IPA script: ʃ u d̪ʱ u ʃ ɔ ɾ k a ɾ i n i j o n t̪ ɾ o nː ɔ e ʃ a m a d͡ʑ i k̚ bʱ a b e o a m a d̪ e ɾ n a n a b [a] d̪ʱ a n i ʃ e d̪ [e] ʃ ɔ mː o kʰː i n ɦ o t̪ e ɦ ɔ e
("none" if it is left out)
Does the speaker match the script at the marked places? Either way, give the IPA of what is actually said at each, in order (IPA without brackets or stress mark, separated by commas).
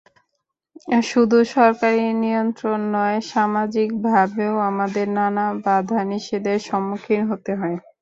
a, e